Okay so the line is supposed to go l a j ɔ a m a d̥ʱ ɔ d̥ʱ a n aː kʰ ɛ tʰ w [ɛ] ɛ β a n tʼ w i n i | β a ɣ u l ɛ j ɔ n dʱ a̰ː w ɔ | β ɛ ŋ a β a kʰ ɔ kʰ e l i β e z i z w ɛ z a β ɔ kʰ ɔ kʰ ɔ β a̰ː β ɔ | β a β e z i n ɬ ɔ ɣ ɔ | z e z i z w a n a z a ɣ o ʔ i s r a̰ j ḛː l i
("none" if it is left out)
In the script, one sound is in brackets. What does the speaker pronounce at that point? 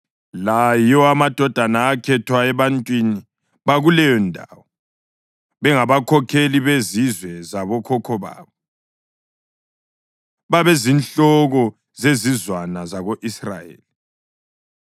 a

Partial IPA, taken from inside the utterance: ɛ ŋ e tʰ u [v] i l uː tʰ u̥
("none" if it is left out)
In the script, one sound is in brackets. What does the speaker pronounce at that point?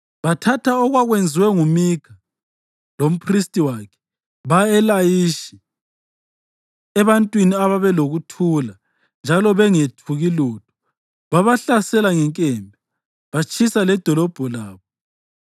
ɣ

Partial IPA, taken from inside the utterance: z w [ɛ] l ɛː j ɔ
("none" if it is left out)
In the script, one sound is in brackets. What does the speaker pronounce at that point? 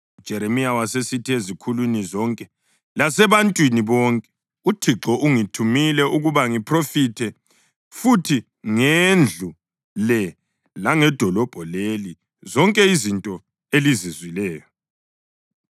i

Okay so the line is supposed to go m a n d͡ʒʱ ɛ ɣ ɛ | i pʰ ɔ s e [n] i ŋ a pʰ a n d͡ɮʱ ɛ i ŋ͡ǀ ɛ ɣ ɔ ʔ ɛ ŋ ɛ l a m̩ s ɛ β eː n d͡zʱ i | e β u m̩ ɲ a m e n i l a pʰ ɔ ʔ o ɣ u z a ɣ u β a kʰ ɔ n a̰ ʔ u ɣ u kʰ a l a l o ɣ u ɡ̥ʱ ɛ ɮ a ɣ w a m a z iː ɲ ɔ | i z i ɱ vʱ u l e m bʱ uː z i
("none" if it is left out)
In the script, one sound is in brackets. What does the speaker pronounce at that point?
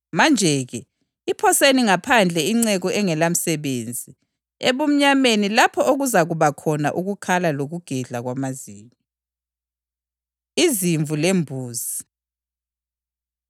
n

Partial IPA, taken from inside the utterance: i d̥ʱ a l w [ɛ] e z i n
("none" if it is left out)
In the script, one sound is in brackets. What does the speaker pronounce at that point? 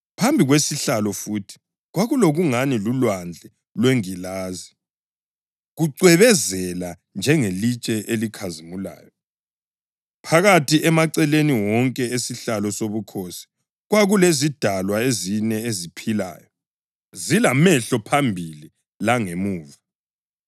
a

